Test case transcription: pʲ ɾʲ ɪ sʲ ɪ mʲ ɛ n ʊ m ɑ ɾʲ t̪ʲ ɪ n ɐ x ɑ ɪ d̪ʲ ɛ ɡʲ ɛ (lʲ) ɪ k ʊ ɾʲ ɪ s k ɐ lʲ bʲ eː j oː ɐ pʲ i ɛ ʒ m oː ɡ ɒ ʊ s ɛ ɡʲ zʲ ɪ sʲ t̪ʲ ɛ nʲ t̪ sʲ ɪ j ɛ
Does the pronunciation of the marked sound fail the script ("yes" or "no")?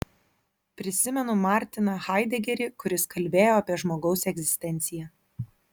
yes